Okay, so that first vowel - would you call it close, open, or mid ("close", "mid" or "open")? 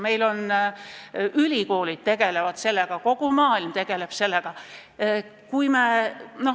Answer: mid